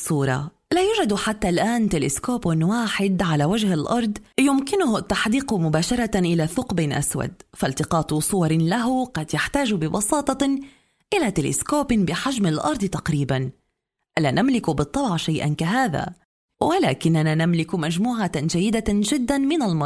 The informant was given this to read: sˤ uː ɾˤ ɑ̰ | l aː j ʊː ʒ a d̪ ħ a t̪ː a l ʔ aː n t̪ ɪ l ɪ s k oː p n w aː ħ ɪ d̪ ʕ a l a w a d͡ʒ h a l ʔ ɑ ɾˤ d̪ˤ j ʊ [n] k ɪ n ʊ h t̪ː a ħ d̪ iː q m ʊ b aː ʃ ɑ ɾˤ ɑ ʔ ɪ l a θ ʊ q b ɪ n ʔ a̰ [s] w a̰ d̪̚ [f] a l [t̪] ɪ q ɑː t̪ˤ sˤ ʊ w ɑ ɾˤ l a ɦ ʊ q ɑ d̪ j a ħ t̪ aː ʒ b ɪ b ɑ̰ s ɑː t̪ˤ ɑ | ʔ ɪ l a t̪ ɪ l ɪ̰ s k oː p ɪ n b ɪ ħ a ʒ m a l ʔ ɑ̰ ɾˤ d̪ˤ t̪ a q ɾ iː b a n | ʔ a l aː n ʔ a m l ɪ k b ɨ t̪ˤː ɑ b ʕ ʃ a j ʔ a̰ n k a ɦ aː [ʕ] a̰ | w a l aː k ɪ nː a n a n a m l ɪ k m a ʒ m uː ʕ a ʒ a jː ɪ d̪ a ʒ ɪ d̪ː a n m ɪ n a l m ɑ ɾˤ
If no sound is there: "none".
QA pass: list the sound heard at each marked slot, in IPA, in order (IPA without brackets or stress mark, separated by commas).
m, s, f, t̪, ð